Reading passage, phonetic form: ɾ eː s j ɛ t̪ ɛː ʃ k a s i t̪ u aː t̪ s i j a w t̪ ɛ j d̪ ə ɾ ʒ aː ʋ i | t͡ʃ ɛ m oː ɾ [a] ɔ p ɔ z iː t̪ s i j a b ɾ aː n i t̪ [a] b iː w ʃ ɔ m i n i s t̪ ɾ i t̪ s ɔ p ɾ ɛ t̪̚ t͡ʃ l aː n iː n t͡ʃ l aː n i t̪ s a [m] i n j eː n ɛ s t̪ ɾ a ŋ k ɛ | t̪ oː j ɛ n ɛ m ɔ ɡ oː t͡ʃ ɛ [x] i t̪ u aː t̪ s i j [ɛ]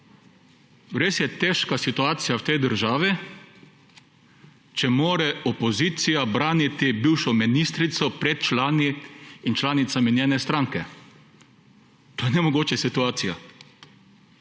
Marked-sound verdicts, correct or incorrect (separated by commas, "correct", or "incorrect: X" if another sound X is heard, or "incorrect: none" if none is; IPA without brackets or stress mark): incorrect: ɛ, incorrect: i, correct, incorrect: s, incorrect: a